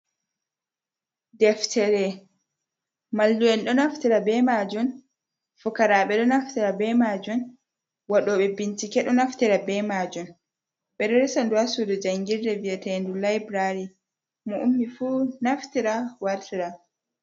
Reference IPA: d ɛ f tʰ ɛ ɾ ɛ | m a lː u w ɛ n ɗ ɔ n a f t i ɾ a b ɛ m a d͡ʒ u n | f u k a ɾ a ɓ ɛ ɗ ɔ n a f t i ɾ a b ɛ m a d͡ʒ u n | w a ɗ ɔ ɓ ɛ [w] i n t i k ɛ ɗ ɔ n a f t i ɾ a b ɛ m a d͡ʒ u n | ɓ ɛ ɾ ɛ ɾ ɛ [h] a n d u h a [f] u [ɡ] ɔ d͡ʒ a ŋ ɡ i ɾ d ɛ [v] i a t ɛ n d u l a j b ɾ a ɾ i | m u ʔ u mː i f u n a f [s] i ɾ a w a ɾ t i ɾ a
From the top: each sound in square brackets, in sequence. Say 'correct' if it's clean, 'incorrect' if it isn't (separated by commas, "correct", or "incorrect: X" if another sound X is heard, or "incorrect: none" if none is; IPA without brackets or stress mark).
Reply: incorrect: b, incorrect: s, incorrect: s, incorrect: d, correct, incorrect: t